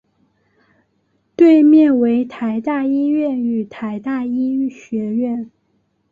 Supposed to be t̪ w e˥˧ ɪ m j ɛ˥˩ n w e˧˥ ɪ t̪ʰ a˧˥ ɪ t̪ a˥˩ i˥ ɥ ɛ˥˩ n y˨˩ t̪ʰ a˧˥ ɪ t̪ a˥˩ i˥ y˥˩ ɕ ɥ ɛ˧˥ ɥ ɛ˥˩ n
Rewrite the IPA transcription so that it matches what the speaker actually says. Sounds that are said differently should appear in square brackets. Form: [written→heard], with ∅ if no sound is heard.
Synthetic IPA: t̪ w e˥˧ ɪ m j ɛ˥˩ n w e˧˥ ɪ t̪ʰ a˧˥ ɪ t̪ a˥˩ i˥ ɥ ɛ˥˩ n y˨˩ t̪ʰ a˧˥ ɪ t̪ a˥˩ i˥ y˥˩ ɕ ɥ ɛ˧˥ ɥ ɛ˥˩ n